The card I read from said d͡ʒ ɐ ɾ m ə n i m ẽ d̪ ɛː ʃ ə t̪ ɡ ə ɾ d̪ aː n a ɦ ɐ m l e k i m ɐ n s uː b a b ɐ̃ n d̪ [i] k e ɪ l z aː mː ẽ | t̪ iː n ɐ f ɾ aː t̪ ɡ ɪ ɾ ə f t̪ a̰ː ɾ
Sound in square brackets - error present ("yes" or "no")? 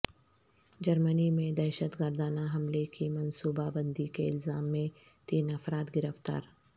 no